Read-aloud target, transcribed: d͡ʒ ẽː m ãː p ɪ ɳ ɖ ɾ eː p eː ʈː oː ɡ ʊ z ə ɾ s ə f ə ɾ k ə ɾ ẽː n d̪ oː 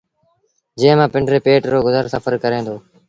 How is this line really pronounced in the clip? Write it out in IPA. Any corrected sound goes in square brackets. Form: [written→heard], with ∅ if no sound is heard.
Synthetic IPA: d͡ʒ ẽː m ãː p ɪ ɳ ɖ ɾ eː p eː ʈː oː ɡ ʊ z ə ɾ s ə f ə ɾ k ə ɾ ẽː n d̪ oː